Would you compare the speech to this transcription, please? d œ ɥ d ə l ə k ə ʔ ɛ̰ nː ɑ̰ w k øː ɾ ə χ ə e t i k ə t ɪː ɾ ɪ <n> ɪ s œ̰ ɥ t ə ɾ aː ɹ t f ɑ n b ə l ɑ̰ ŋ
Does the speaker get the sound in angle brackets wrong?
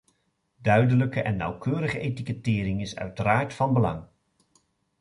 yes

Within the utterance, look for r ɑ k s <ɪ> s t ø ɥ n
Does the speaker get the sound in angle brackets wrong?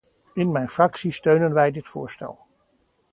yes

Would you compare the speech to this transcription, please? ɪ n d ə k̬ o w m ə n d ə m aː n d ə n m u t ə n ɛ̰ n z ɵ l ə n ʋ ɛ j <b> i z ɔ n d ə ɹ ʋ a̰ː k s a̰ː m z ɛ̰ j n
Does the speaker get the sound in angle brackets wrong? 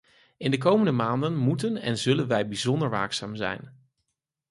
no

